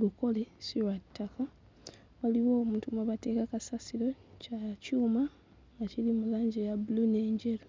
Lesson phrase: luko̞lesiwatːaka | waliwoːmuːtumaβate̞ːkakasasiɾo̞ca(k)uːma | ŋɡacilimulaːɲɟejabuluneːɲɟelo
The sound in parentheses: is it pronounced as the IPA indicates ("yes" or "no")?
no